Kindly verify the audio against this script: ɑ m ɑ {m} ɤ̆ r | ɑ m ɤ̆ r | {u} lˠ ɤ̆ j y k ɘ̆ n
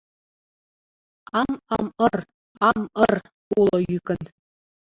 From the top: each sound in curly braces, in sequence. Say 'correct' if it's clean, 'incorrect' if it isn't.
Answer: correct, correct

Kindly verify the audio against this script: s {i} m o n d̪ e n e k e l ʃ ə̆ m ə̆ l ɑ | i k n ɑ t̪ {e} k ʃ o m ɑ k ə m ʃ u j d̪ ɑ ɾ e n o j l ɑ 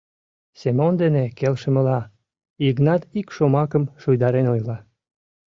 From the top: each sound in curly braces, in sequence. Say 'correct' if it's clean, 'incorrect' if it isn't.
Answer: incorrect, incorrect

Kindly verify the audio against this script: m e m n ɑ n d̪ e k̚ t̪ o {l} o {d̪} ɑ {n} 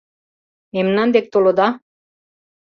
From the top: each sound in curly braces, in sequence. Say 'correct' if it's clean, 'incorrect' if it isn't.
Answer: correct, correct, incorrect

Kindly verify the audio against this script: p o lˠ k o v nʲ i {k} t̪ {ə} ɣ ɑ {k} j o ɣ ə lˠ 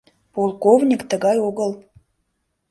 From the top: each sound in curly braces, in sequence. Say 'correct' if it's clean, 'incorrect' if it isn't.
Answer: correct, correct, incorrect

